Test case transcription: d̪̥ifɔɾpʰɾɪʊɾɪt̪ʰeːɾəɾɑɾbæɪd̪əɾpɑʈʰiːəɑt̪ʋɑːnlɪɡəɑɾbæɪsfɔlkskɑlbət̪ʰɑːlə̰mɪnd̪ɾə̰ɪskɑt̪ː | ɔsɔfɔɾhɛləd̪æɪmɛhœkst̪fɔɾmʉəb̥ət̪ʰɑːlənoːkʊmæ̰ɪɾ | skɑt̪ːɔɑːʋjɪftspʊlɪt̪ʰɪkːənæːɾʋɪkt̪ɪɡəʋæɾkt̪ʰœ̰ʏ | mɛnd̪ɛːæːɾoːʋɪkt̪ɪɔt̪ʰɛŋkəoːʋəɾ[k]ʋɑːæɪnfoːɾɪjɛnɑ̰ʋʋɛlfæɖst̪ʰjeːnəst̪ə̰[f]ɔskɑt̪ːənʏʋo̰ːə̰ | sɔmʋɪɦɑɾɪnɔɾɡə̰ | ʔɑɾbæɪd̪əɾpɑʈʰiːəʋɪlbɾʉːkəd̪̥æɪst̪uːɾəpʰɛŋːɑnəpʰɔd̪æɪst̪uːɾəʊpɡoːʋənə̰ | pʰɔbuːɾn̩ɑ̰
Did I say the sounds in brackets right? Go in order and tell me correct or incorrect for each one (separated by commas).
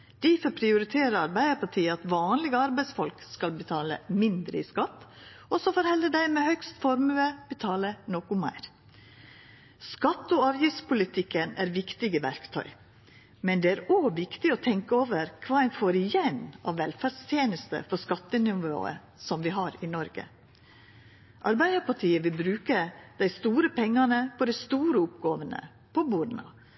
incorrect, correct